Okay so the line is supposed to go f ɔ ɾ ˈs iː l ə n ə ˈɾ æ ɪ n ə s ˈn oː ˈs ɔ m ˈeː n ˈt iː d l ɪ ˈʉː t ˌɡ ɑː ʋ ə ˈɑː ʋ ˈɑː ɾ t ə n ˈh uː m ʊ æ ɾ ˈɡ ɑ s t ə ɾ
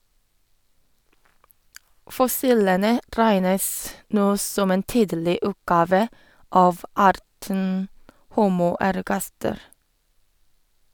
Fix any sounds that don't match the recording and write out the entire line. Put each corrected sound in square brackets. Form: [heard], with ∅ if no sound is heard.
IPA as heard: f ɔ [∅] ˈs iː l ə n ə ˈɾ æ ɪ n ə s ˈn oː ˈs ɔ m ˈeː n ˈt iː d l ɪ ˈʉː t ˌɡ ɑː ʋ ə ˈɑː ʋ ˈɑː ɾ t ə n ˈh uː m ʊ æ ɾ ˈɡ ɑ s t ə ɾ